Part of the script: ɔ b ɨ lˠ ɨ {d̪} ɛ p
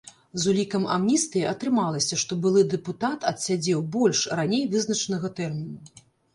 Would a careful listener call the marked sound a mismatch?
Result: no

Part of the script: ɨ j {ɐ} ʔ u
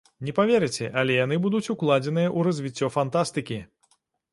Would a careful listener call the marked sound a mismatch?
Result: no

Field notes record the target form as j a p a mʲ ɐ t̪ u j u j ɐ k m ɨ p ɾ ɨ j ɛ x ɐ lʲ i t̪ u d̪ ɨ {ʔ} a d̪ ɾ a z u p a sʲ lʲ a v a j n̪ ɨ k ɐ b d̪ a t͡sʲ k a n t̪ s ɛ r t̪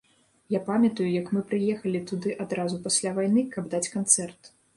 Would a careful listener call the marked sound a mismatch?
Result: no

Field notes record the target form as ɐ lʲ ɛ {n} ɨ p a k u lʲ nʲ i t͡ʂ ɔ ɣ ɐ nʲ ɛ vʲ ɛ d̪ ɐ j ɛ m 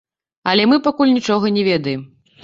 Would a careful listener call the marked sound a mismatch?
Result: yes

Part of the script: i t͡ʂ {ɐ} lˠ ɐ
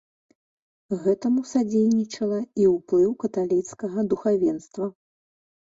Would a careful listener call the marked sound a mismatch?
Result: no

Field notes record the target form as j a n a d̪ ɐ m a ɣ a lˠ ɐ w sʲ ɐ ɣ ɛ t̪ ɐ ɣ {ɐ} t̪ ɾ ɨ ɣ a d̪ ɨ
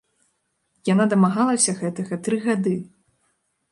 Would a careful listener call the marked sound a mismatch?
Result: no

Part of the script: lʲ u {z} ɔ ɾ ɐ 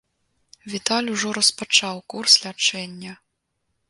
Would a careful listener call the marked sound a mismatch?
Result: yes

